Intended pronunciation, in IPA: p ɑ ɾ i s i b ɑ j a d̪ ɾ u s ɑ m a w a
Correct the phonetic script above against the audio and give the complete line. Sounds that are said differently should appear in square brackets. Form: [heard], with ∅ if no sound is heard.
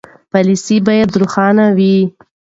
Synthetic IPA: p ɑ [l] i s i b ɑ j a d̪ ɾ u [x] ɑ [n] a w [i]